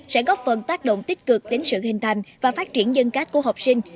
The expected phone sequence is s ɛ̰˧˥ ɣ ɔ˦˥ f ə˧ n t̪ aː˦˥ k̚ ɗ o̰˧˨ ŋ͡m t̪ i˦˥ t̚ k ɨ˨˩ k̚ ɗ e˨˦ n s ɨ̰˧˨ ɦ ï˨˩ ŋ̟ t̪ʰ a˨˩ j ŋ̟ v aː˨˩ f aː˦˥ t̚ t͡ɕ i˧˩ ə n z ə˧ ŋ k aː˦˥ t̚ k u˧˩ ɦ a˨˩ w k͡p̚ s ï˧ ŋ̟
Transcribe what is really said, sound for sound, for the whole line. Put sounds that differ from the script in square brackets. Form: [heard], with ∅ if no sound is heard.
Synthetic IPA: s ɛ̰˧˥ ɣ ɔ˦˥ f [ə˨˩] n t̪ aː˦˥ k̚ ɗ o̰˧˨ ŋ͡m t̪ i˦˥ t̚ k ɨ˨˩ k̚ ɗ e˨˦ n s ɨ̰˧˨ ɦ ï˨˩ ŋ̟ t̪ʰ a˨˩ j ŋ̟ v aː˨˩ f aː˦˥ t̚ t͡ɕ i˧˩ ə n z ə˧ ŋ k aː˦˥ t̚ k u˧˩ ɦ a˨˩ w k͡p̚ s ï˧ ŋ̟